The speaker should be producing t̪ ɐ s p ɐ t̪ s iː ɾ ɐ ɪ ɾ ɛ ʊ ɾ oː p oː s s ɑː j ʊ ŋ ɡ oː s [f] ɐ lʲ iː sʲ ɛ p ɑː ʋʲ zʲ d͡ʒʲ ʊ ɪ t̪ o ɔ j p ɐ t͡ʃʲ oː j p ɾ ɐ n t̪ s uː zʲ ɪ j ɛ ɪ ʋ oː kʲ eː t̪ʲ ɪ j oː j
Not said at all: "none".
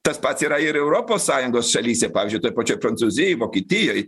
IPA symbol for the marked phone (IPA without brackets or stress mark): ʃ